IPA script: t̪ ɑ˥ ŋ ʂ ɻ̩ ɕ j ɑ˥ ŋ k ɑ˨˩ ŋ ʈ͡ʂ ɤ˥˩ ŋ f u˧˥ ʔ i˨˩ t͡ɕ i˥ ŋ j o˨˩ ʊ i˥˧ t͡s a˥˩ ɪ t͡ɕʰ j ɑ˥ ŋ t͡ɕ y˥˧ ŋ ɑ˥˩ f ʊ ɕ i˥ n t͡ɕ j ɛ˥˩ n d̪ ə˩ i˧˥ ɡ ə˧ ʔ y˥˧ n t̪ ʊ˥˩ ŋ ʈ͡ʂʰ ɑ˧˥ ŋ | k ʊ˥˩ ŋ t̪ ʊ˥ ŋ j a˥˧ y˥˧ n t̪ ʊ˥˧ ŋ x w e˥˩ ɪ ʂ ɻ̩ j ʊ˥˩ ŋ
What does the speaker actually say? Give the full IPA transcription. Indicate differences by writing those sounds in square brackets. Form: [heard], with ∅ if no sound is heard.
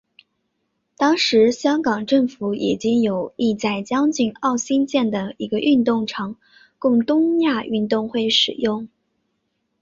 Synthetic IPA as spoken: t̪ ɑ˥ ŋ ʂ ɻ̩ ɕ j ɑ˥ ŋ k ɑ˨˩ ŋ ʈ͡ʂ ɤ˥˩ ŋ f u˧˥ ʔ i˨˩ t͡ɕ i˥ ŋ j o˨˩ ʊ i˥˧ t͡s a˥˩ ɪ [t͡ɕ] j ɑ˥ ŋ t͡ɕ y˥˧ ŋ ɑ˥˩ [∅] ʊ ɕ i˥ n t͡ɕ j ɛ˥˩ n d̪ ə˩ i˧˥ ɡ ə˧ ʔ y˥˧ n t̪ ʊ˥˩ ŋ ʈ͡ʂʰ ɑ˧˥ ŋ | k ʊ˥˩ ŋ t̪ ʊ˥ ŋ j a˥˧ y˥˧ n t̪ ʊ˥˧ ŋ x w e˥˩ ɪ ʂ ɻ̩ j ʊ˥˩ ŋ